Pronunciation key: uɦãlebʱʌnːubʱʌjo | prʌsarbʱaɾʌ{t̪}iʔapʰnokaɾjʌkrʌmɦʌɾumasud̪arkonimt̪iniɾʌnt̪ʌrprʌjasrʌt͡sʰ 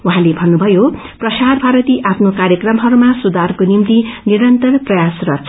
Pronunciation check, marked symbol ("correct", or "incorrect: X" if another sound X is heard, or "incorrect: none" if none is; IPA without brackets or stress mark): correct